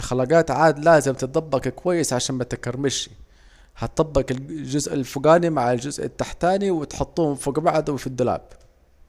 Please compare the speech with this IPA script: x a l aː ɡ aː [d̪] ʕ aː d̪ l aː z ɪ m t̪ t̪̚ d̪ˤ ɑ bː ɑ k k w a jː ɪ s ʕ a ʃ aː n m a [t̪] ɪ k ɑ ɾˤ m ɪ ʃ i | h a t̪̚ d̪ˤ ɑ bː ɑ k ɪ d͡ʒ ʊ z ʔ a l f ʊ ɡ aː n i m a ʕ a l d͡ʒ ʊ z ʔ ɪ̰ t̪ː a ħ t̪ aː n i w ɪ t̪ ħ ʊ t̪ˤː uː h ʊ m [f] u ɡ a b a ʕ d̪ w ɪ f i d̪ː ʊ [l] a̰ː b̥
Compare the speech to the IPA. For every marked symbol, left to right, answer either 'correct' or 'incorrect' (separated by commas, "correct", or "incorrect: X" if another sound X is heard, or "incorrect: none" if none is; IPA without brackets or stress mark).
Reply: incorrect: t̪, correct, correct, correct